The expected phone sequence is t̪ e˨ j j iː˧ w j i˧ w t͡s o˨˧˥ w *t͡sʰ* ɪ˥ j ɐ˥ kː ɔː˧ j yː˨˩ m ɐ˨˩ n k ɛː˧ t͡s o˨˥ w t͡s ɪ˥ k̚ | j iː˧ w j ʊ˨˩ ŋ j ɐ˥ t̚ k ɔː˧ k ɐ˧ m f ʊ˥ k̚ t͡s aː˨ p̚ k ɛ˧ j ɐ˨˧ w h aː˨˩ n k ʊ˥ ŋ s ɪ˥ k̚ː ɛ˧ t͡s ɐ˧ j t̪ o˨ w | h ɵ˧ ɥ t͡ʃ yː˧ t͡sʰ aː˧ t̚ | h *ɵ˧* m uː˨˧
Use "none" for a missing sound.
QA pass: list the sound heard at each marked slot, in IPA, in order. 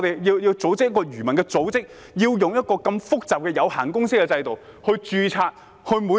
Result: t͡s, ɵ˧

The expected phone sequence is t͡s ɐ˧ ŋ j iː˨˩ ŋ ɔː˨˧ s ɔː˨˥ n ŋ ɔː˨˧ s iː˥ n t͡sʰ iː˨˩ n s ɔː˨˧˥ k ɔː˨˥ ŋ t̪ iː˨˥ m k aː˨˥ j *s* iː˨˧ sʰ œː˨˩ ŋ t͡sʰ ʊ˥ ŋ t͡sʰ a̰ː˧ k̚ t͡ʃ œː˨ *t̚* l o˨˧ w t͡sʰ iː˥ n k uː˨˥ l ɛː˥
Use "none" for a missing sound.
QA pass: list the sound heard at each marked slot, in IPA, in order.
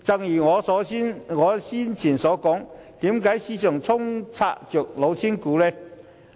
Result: s, k̚

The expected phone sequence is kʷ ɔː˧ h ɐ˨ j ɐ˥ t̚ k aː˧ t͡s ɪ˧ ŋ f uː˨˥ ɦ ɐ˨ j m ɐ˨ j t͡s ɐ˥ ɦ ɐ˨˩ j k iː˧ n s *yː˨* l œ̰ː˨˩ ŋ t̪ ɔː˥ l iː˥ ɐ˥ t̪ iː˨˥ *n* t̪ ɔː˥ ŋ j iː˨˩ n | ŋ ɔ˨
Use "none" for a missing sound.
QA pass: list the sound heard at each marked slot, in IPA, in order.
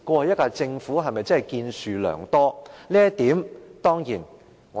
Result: yː˨, m

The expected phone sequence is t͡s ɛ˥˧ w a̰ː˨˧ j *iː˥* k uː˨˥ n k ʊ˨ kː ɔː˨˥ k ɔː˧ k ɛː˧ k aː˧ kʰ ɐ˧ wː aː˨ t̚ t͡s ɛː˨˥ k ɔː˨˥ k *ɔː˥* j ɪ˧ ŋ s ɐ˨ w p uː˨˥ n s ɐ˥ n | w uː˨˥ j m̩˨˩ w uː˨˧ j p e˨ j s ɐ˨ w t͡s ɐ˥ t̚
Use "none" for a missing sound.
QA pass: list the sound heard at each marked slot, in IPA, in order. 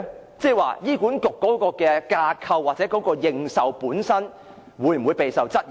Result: iː˥, ɔː˧

